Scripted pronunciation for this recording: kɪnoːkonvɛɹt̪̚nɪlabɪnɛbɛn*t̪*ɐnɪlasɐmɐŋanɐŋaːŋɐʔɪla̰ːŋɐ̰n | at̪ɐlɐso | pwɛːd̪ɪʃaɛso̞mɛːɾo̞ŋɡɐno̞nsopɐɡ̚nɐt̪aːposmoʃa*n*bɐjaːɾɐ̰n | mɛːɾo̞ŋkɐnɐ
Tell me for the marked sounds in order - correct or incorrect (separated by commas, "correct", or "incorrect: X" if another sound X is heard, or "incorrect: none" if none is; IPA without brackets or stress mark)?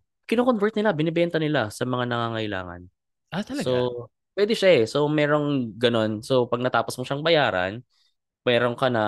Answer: correct, incorrect: ŋ